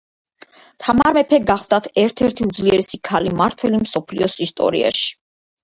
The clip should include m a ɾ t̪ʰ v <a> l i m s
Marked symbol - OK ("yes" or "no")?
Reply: no